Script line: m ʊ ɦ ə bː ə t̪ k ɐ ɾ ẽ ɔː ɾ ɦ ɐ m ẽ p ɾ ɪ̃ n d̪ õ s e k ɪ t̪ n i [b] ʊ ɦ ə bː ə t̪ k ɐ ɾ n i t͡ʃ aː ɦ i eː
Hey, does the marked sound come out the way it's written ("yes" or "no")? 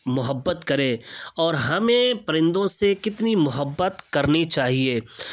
no